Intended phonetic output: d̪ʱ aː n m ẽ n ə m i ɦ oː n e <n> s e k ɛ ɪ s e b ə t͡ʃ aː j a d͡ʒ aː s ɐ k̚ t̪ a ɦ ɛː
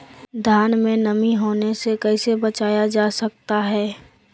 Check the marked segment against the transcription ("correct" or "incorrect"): incorrect